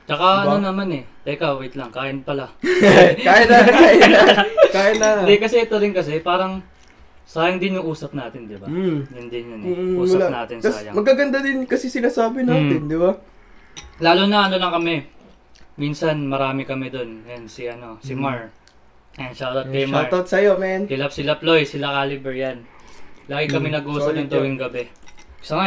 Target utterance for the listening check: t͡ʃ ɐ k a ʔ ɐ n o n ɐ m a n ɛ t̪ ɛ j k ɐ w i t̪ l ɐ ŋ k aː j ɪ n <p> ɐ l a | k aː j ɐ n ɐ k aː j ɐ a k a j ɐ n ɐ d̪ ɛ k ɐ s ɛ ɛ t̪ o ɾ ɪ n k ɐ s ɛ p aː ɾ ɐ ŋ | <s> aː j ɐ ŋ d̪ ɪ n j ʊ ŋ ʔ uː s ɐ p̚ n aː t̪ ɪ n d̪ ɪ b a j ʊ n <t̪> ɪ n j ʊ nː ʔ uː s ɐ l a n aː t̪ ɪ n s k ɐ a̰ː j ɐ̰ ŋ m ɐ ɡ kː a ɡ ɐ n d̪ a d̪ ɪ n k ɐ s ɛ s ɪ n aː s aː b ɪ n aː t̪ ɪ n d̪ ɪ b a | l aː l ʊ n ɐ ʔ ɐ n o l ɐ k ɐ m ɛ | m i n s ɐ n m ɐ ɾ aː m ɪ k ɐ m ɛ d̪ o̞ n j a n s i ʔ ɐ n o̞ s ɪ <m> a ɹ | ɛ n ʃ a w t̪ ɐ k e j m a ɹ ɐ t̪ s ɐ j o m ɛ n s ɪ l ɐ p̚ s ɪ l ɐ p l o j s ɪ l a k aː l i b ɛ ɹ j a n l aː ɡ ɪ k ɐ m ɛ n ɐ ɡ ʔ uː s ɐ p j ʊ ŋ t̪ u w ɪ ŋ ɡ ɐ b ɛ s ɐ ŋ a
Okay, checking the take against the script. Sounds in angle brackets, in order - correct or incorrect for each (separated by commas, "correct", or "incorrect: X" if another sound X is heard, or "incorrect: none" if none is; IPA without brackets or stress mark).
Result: correct, correct, incorrect: d̪, correct